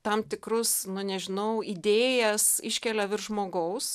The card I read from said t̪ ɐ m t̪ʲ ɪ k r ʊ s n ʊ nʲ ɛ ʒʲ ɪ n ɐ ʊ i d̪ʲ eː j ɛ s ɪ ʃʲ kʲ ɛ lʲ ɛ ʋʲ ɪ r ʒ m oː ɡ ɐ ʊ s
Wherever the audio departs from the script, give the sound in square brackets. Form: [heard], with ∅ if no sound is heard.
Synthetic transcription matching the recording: t̪ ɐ m t̪ʲ ɪ k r ʊ s n ʊ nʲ ɛ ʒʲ ɪ n ɐ ʊ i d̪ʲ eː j ɛ s ɪ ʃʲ kʲ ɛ lʲ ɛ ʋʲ ɪ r ʒ m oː ɡ ɐ ʊ s